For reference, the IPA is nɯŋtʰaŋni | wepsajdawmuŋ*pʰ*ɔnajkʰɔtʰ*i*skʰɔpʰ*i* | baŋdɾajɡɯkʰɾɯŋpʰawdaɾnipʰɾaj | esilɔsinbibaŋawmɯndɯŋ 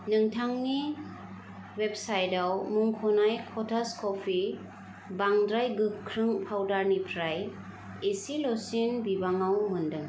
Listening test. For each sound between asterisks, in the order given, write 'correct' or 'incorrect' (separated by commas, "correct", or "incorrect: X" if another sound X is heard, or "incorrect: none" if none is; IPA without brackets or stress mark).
incorrect: kʰ, incorrect: a, correct